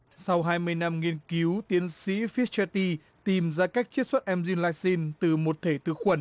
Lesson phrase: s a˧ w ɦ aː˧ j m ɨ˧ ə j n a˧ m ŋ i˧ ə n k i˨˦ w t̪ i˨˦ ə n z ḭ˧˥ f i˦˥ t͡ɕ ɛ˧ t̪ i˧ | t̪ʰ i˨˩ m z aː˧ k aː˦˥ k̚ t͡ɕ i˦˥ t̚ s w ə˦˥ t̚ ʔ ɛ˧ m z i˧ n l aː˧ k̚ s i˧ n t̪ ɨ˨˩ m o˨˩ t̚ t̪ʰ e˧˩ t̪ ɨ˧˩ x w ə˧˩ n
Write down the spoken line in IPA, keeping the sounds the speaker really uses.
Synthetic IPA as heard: s a˧ w ɦ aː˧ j m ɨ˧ ə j n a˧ m ŋ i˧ ə n k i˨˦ w t̪ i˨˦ ə n s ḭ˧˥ f i˦˥ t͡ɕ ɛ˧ t̪ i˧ | t̪ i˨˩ m z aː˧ k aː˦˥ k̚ t͡ɕ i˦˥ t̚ s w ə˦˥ t̚ ʔ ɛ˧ m z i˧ n l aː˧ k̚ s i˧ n t̪ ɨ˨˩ m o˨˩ t̚ t̪ʰ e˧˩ t̪ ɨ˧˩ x w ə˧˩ n